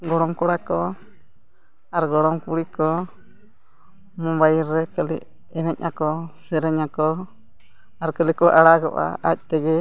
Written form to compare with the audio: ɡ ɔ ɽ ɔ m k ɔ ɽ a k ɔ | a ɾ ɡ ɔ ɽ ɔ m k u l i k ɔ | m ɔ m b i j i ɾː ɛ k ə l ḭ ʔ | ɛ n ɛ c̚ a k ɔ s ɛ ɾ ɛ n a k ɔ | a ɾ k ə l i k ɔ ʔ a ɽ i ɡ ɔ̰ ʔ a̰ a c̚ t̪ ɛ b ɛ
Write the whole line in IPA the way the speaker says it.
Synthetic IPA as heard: ɡ ɔ ɽ ɔ m k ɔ ɽ a k ɔ | a ɾ ɡ ɔ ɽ ɔ m k u ɽ i k ɔ | m ɔ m b a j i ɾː ɛ k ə l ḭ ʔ | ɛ n ɛ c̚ a k ɔ s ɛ ɾ ɛ ɲ a k ɔ | a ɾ k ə l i k ɔ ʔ a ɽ a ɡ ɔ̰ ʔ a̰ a c̚ t̪ ɛ ɡ ɛ